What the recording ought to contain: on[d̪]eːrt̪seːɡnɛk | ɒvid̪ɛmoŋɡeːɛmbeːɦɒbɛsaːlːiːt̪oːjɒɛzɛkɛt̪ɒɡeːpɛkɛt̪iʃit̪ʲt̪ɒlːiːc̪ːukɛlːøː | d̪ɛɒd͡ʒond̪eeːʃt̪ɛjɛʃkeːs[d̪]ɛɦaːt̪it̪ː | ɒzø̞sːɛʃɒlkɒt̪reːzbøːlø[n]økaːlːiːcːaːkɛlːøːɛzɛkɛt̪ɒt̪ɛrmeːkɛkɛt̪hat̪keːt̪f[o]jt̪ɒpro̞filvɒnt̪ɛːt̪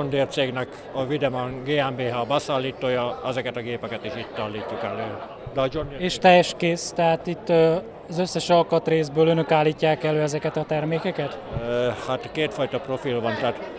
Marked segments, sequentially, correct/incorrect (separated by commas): correct, incorrect, correct, incorrect